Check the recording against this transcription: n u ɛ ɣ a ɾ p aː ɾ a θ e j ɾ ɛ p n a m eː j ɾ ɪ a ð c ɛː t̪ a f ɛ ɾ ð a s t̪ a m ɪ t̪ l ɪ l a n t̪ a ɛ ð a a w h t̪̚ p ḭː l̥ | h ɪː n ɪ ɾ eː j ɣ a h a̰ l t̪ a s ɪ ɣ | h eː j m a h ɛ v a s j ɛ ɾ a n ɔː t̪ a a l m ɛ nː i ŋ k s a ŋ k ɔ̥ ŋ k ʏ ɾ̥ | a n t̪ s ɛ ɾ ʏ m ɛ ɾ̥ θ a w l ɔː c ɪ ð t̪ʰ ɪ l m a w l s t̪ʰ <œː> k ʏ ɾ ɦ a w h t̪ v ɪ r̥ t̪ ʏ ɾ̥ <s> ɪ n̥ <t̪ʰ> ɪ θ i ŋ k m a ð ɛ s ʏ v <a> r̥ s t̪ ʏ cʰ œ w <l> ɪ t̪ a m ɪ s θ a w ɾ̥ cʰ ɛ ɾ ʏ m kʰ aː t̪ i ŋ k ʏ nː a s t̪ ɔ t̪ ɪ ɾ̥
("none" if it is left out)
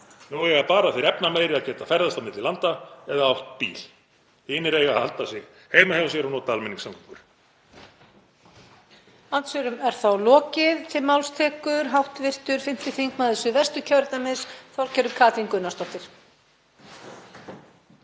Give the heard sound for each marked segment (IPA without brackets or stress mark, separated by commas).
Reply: ɛː, f, t̪, ɛ, ɾ